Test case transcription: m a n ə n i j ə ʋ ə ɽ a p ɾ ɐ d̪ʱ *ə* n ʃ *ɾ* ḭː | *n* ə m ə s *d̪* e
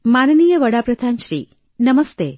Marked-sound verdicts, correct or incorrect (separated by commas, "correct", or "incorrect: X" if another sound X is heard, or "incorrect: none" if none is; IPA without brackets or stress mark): incorrect: a, correct, correct, incorrect: t̪